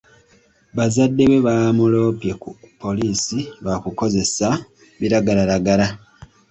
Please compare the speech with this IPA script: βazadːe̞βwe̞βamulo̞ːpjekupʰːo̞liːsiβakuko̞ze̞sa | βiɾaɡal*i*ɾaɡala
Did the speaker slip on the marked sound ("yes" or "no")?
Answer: yes